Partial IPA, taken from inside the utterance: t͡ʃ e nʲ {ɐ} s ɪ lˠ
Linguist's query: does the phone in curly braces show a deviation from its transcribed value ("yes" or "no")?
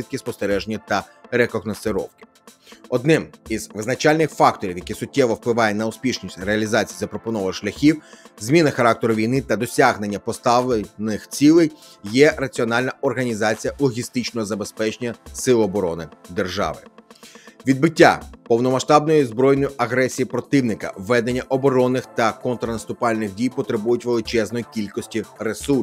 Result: no